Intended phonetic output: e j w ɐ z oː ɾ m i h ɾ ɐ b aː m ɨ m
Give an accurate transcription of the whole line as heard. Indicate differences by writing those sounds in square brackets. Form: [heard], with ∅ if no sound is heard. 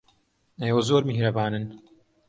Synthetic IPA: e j w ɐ z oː ɾ m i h ɾ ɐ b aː [n] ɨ [n]